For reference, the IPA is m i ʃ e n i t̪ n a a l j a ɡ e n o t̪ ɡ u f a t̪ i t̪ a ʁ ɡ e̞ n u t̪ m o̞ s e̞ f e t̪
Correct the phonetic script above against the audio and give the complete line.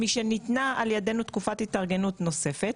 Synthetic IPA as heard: m i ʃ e n i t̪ n a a l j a d e n u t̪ k u f a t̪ i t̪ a ʁ ɡ e̞ n u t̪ n o̞ s e̞ f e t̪